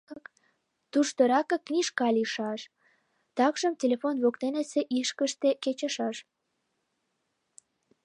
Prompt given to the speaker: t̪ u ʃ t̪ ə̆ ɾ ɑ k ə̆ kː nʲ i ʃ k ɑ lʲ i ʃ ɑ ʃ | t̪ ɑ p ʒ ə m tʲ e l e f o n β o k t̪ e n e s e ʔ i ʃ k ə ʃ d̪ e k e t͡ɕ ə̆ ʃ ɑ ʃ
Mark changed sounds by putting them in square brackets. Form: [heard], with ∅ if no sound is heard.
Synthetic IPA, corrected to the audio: t̪ u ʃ t̪ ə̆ ɾ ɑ k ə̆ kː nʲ i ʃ k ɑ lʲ i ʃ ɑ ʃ | t̪ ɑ [k] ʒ ə m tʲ e l e f o n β o k t̪ e n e s e ʔ i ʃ k ə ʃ [t̪] e k e t͡ɕ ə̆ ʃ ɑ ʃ